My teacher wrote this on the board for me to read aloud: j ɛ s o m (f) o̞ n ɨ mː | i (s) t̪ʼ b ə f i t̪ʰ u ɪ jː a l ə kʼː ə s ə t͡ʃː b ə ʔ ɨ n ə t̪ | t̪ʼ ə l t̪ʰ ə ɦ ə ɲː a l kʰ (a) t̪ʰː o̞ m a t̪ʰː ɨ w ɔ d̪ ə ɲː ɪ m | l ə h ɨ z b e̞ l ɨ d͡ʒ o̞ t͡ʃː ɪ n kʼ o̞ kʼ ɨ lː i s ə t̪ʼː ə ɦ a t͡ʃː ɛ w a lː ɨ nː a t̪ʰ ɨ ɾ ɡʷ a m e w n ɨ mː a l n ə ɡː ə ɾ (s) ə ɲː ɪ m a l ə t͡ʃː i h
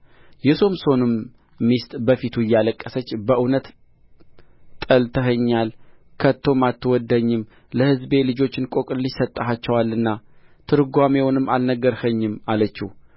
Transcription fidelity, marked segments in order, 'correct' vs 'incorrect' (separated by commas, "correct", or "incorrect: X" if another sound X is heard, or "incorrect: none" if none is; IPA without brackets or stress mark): incorrect: s, correct, incorrect: ə, incorrect: h